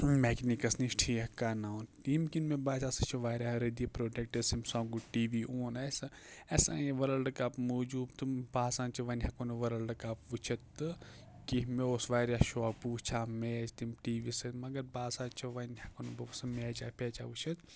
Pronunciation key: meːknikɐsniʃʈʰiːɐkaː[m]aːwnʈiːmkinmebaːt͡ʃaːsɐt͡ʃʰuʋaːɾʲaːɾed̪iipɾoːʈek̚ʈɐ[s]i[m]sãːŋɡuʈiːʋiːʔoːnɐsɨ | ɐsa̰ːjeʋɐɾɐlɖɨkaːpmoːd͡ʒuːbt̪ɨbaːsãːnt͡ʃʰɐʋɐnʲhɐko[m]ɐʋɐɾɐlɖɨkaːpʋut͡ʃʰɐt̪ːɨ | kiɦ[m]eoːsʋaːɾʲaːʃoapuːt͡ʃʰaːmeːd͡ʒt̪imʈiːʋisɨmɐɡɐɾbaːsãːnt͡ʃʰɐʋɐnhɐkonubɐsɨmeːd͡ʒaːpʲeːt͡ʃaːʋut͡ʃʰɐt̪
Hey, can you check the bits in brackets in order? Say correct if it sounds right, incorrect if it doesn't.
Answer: incorrect: n, correct, correct, incorrect: n, correct

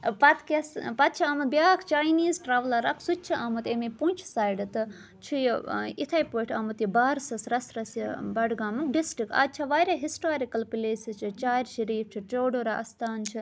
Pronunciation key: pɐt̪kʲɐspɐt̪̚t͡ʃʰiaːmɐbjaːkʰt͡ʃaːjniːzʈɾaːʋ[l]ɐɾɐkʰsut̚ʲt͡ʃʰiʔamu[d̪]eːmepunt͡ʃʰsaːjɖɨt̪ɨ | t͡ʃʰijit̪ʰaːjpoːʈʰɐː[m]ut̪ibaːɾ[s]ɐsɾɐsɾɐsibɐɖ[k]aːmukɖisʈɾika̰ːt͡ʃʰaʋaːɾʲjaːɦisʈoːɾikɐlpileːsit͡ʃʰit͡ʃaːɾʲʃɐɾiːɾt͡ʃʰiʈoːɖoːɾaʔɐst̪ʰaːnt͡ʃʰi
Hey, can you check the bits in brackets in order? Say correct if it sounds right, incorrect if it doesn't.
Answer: correct, incorrect: t̪, correct, correct, incorrect: ɡ

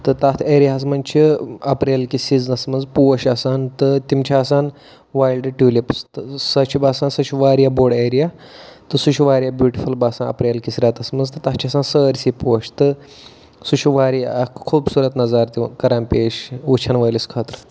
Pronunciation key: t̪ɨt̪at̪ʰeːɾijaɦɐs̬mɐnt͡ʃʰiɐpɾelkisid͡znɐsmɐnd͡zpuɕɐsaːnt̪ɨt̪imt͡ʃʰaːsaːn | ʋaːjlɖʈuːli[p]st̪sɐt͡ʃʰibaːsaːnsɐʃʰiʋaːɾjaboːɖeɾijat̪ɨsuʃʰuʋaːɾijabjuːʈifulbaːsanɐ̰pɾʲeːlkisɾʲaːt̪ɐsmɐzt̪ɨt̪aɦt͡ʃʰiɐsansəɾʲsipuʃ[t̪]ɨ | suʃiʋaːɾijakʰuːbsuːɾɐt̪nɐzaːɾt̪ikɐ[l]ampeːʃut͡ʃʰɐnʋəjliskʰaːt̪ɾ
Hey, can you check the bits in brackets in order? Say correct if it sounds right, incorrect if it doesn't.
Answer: correct, correct, incorrect: ɾ

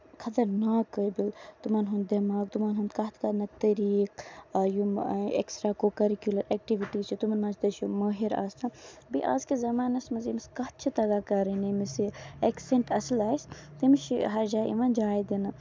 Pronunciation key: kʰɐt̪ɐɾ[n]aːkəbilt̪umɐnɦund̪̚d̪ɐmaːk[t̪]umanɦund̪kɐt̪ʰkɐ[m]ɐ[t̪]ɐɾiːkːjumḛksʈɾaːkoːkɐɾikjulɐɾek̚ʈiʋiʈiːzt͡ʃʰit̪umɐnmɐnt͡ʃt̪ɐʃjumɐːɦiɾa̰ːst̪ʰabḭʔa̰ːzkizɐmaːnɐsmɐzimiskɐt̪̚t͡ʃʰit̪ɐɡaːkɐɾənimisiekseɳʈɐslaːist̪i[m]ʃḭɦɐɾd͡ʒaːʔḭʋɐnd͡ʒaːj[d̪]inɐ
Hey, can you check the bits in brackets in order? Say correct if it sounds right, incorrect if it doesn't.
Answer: correct, correct, incorrect: n, correct, correct, correct

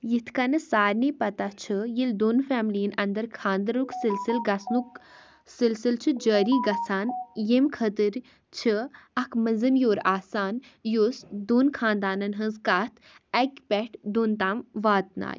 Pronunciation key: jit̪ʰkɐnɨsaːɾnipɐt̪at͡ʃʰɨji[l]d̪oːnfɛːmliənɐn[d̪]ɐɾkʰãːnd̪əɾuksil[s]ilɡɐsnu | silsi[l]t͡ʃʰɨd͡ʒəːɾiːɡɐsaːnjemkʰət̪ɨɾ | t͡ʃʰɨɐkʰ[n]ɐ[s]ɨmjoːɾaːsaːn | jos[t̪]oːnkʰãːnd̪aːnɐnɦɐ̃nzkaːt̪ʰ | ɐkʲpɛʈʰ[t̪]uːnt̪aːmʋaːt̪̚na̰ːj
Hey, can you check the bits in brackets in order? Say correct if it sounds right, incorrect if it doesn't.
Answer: correct, correct, correct, correct, incorrect: m, incorrect: z, incorrect: d̪, incorrect: d̪

